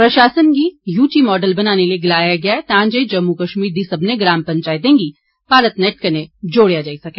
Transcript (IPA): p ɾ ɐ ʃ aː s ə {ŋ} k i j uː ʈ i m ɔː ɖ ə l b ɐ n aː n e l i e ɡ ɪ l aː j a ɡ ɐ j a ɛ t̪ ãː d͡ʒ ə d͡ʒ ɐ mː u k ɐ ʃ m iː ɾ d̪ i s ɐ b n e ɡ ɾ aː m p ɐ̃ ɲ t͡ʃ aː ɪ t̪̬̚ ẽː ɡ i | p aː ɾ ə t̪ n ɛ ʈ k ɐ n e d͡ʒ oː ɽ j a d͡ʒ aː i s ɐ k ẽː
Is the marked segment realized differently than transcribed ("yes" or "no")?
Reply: yes